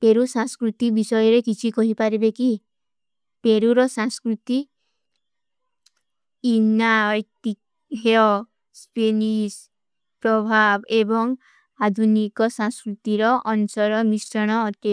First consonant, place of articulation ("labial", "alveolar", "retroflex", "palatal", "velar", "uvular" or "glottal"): labial